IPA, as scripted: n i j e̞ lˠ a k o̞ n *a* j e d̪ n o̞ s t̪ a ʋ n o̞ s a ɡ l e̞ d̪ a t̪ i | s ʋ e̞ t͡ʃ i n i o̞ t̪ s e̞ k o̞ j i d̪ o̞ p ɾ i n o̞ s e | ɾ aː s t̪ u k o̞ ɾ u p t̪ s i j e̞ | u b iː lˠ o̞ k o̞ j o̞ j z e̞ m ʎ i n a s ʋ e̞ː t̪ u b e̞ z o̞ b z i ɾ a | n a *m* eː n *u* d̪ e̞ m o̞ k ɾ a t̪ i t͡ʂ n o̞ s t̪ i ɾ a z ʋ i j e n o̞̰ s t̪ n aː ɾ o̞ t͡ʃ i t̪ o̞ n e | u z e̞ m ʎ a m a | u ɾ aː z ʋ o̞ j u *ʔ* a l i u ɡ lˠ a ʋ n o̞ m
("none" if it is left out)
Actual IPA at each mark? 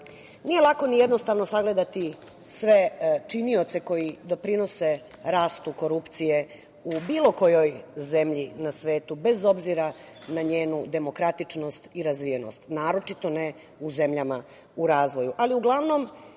i, ɲ, u, ʔ

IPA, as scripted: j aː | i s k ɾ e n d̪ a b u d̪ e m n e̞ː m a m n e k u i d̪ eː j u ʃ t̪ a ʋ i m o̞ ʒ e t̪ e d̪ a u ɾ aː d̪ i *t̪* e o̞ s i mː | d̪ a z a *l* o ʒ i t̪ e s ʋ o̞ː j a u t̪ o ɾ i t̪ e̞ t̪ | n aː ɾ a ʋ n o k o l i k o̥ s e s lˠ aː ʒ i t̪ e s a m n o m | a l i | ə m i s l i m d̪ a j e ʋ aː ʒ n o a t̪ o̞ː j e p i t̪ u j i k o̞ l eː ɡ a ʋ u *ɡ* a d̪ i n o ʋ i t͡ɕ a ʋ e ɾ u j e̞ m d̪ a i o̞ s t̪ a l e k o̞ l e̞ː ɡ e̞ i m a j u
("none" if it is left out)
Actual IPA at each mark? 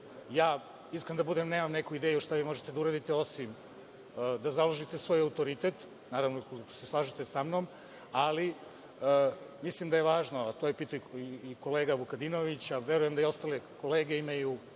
t̪, l, k

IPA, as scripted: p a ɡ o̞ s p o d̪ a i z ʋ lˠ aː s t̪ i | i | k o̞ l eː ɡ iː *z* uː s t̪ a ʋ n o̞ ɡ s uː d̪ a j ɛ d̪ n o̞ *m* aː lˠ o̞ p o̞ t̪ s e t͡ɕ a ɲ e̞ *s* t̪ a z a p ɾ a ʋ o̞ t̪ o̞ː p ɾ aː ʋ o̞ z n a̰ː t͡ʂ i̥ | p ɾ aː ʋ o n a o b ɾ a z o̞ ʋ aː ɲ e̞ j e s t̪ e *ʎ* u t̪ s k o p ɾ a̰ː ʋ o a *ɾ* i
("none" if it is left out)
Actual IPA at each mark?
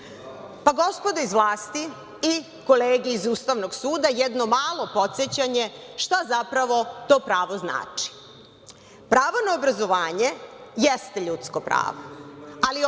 z, m, ʃ, ʎ, l

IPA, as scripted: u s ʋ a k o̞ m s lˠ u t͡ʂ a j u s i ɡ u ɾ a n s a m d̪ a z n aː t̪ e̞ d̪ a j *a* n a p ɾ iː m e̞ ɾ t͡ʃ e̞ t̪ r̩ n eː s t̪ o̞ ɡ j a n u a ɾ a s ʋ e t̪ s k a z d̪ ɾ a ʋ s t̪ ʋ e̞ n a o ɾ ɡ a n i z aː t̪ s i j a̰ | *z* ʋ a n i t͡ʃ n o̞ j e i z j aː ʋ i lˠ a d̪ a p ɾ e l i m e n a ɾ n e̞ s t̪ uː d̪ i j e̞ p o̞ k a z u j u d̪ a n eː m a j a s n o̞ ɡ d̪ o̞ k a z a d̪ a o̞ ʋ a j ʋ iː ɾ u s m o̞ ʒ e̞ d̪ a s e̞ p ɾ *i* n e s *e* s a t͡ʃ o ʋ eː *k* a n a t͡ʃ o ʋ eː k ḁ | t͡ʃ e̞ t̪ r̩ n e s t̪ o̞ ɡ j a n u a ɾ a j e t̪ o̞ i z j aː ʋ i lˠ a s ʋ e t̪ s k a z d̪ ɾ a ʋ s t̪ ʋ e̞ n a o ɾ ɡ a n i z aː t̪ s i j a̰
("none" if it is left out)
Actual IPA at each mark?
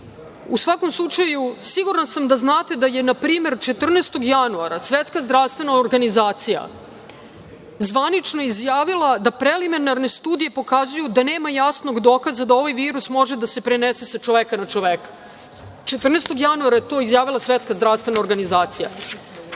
e, z, e, e, k

